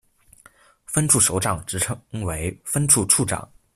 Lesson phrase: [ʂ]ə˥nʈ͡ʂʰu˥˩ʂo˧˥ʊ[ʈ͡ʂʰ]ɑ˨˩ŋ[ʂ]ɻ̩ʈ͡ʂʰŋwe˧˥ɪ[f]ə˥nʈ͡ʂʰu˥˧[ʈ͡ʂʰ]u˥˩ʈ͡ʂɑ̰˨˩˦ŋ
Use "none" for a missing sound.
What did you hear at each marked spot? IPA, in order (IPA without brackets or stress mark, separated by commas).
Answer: f, ʈ͡ʂ, ʈ͡ʂ, f, ʈ͡ʂʰ